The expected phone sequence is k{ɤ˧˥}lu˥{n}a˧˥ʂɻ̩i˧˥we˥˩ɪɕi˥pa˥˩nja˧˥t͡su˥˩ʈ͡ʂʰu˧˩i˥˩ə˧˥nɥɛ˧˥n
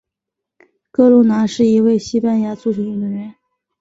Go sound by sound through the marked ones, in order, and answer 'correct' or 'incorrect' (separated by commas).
incorrect, correct